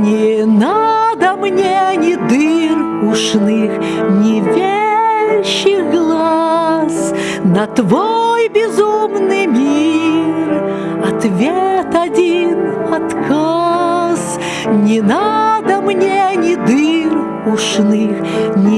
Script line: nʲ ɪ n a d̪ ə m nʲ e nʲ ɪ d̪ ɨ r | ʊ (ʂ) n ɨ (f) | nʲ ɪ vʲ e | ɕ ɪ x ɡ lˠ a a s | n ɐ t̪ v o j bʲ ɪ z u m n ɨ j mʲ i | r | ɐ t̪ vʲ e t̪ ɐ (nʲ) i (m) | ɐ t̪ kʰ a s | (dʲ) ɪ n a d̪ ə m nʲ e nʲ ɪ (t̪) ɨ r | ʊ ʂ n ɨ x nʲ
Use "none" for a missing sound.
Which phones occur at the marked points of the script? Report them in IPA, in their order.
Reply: ʂ, x, dʲ, n, nʲ, d̪

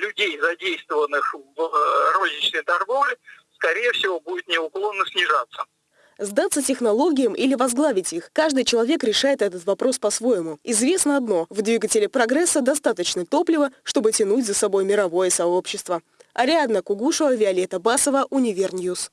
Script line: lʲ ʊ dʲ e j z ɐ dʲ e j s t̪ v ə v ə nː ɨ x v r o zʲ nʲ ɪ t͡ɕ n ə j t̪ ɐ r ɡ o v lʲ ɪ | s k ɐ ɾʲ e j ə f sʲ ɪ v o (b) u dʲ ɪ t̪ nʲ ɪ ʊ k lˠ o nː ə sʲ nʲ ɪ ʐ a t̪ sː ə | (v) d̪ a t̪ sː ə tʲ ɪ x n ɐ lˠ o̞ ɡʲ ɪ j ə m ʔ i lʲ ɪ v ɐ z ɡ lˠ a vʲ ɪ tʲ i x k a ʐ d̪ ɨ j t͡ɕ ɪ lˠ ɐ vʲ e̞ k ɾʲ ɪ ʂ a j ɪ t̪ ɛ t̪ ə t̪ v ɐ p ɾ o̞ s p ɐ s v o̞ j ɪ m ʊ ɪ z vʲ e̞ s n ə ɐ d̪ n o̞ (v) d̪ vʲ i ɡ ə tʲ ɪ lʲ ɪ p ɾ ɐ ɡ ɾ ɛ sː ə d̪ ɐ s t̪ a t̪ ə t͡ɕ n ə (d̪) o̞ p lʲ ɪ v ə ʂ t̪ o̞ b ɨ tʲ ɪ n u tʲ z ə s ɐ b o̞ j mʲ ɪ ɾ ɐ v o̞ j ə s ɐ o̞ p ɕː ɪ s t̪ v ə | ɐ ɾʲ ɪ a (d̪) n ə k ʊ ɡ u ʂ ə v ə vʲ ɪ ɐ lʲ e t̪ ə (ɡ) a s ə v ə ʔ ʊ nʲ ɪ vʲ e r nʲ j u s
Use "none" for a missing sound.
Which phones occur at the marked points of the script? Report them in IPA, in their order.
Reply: b, z, v, t̪, d̪, b

